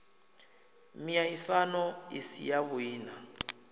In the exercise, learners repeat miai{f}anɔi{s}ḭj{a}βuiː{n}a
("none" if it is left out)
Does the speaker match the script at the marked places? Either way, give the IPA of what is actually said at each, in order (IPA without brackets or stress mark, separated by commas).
s, s, a, n